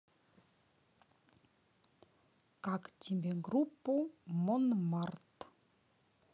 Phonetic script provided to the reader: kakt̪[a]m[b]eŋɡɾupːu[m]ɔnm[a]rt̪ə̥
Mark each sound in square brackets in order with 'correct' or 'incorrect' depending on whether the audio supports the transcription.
incorrect: i, correct, correct, correct

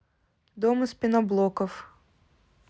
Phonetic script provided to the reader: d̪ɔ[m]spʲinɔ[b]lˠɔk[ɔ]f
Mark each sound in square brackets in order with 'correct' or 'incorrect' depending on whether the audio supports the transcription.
correct, correct, correct

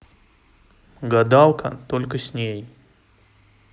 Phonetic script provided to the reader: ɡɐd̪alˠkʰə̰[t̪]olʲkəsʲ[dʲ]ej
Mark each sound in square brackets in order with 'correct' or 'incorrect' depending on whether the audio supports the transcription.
correct, incorrect: nʲ

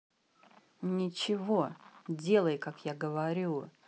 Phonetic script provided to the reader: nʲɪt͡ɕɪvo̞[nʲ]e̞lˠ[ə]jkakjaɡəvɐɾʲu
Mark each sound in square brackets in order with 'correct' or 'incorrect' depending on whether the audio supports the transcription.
incorrect: dʲ, correct

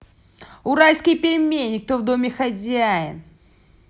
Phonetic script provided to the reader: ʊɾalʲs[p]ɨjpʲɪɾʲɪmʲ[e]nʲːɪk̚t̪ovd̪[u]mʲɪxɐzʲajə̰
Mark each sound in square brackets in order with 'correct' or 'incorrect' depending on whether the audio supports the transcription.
incorrect: k, correct, incorrect: o

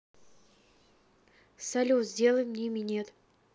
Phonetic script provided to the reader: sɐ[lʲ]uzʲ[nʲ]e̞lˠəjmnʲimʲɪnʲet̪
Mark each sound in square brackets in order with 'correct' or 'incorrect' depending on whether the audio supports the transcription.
correct, incorrect: dʲ

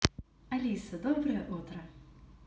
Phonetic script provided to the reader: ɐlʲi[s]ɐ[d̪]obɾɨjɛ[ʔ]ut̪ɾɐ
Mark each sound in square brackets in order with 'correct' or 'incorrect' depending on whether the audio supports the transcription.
correct, correct, correct

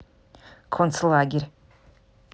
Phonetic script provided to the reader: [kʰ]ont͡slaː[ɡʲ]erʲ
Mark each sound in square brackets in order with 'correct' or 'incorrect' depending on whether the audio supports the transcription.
correct, correct

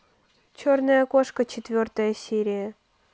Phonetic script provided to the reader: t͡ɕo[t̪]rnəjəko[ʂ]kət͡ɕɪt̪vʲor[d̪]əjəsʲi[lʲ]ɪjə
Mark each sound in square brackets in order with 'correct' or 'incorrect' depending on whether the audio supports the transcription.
incorrect: none, correct, incorrect: t̪, incorrect: ɾʲ

